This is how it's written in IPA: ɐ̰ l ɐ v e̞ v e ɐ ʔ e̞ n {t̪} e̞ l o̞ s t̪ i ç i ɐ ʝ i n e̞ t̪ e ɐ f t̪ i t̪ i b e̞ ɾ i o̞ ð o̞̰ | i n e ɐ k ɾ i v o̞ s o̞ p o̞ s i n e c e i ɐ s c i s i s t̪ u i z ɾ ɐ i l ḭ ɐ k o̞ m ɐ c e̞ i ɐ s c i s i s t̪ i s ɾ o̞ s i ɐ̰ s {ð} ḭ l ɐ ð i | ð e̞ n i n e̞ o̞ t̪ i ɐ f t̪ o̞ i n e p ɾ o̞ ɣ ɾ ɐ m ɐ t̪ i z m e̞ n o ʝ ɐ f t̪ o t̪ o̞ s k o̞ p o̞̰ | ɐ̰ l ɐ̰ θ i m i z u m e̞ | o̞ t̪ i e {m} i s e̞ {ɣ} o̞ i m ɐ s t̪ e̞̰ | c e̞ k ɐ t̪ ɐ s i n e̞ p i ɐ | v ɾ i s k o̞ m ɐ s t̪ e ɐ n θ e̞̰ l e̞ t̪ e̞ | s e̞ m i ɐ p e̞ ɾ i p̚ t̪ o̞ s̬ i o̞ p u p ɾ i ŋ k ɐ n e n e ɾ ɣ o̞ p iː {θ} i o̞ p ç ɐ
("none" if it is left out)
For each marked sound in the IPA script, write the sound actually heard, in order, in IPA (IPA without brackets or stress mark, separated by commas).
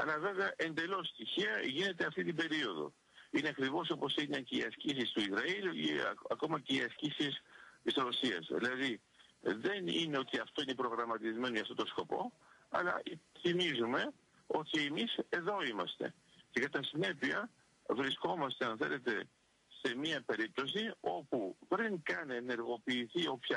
d̪, ð, m, ð, θ